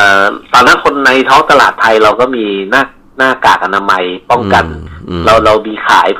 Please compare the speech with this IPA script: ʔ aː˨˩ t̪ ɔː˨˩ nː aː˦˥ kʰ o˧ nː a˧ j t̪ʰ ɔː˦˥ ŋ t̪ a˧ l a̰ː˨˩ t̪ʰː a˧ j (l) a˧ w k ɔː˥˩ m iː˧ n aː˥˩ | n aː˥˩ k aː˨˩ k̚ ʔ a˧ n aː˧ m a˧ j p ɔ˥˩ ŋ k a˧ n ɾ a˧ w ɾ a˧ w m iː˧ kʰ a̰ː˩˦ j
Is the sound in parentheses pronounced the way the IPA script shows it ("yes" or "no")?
no